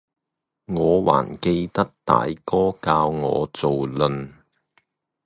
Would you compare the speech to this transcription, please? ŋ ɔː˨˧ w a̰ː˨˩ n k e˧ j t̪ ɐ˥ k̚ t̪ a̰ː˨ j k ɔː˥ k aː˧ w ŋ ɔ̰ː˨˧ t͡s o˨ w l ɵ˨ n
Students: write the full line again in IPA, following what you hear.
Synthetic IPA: ŋ ɔː˨˧ w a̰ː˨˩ n k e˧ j t̪ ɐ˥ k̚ t̪ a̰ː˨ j k ɔː˥ k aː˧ w ŋ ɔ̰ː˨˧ t͡s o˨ w l ɵ˨ n